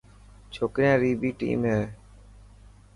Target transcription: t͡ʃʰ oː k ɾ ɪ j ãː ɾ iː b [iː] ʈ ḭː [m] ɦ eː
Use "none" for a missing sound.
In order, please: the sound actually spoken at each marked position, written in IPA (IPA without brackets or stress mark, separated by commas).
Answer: iː, m